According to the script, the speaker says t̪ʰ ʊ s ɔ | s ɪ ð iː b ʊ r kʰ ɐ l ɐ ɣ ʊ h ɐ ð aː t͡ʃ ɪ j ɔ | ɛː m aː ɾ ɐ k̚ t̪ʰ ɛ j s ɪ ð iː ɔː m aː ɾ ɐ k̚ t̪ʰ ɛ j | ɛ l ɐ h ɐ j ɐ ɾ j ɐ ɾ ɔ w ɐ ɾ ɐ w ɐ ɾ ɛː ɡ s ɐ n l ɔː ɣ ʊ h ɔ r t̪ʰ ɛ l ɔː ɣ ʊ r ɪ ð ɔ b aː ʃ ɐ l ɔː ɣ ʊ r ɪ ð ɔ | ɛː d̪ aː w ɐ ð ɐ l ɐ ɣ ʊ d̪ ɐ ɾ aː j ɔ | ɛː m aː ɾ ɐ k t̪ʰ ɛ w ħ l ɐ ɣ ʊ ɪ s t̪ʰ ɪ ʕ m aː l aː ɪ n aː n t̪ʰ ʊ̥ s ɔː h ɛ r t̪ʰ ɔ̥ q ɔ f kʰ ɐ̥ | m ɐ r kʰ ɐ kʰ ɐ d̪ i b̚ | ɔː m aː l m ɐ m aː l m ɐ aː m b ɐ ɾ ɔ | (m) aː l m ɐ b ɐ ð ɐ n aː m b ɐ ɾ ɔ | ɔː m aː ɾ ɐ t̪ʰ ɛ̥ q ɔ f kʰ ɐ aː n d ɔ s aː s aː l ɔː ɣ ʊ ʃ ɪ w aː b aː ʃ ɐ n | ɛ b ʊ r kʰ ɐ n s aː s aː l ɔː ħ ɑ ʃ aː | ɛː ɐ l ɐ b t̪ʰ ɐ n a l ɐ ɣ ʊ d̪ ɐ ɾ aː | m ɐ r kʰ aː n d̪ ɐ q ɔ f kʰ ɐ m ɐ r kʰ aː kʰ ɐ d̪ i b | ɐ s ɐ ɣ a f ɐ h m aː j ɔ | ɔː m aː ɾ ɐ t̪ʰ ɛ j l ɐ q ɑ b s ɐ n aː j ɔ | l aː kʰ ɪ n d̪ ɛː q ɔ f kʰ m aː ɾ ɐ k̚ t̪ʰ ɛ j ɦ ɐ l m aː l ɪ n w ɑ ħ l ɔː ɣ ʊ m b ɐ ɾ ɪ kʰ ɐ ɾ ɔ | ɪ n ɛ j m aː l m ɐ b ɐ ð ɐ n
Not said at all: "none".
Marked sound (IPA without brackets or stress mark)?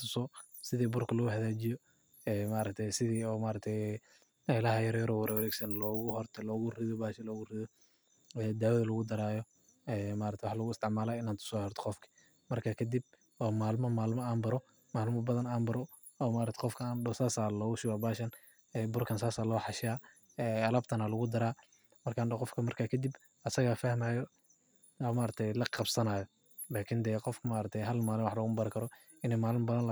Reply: m